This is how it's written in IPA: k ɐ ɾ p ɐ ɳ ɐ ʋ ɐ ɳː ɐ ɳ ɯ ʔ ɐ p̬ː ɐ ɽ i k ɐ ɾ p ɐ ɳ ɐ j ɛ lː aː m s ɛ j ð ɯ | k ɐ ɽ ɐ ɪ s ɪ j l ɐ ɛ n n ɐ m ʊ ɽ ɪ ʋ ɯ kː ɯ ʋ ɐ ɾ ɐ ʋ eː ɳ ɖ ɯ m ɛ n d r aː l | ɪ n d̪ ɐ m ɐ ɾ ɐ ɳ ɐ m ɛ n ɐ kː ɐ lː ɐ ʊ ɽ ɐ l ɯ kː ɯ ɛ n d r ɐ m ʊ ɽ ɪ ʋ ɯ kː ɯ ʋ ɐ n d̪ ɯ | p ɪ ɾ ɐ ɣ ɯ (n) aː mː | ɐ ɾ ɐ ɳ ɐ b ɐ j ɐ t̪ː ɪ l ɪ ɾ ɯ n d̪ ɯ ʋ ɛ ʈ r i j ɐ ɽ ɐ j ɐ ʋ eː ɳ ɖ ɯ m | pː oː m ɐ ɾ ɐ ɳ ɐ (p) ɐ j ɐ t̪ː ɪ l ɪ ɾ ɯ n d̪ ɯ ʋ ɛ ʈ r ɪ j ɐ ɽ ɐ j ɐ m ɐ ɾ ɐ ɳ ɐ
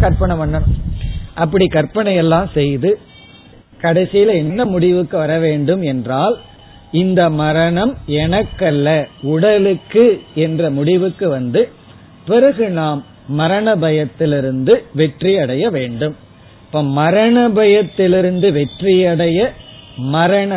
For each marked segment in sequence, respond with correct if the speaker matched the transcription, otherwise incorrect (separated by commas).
correct, incorrect